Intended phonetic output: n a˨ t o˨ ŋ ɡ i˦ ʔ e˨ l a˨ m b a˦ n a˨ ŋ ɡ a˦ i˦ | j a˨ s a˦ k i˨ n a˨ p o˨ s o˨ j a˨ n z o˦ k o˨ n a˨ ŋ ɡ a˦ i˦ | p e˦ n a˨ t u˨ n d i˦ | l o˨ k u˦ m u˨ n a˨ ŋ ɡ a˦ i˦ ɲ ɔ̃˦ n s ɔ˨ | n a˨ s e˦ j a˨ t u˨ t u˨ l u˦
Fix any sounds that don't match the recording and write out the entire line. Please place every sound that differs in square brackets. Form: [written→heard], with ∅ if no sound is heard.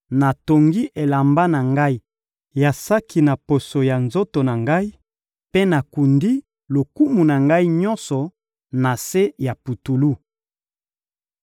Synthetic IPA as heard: n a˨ t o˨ ŋ ɡ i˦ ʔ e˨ l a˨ m b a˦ n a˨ ŋ ɡ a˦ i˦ | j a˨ s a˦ k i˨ n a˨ p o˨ s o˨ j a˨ n z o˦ [k→t] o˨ n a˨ ŋ ɡ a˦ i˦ | p e˦ n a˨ [t→k] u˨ n d i˦ | l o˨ k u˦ m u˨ n a˨ ŋ ɡ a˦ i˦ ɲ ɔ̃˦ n s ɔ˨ | n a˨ s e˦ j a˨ [t→p] u˨ t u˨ l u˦